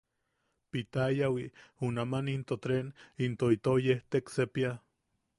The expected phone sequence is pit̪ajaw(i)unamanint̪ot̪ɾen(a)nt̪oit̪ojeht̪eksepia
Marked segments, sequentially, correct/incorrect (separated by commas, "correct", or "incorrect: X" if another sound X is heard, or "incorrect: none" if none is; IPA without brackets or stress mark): correct, incorrect: i